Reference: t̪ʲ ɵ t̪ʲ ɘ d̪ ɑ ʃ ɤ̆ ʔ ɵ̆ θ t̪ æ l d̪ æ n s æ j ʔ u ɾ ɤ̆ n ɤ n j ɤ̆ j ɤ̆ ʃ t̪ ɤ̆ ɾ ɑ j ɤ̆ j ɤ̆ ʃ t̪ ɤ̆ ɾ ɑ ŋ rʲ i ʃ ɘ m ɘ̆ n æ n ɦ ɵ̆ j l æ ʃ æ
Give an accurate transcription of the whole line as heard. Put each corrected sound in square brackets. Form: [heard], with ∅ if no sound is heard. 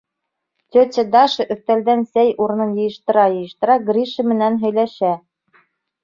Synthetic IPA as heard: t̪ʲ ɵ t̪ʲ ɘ d̪ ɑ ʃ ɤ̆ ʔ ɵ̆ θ t̪ æ l d̪ æ n s æ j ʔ u ɾ ɤ̆ n ɤ n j ɤ̆ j ɤ̆ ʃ t̪ ɤ̆ ɾ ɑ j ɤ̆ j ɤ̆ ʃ t̪ ɤ̆ ɾ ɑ [ɡ] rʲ i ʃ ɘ m ɘ̆ n æ n ɦ ɵ̆ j l æ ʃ æ